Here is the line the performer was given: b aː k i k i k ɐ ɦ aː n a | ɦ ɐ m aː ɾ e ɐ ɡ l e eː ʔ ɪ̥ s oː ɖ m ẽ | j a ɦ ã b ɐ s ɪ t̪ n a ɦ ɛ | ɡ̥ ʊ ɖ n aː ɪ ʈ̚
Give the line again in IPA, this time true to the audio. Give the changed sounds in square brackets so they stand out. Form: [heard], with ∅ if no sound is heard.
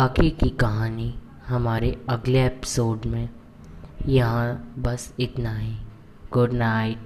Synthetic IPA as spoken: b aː k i k i k ɐ ɦ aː n [i] | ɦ ɐ m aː ɾ e ɐ ɡ l e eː [p] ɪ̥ s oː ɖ m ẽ | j [ɐ] ɦ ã b ɐ s ɪ t̪ n a ɦ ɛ | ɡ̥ ʊ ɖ n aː ɪ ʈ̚